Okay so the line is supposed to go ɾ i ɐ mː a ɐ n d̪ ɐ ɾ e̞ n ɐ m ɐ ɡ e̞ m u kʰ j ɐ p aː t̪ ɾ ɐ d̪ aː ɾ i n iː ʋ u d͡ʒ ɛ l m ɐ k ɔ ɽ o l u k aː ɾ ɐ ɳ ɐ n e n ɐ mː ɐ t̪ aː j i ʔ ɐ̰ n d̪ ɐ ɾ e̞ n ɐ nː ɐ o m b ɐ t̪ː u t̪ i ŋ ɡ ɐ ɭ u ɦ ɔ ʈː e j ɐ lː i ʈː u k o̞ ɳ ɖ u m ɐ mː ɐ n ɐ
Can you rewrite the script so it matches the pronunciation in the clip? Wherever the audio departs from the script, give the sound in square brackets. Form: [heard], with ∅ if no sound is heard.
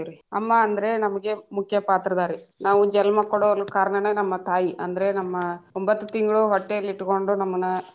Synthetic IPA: ɾ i ɐ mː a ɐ n d̪ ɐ ɾ e̞ n ɐ m ɐ ɡ e̞ m u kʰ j ɐ p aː t̪ ɾ ɐ d̪ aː ɾ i n [aː] ʋ u d͡ʒ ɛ l m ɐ k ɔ ɽ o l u k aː ɾ ɐ ɳ ɐ n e n ɐ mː ɐ t̪ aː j i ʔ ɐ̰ n d̪ ɐ ɾ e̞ n ɐ [mː] ɐ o m b ɐ t̪ː u t̪ i ŋ ɡ ɐ ɭ u ɦ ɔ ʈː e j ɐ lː i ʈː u k o̞ ɳ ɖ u [n] ɐ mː ɐ n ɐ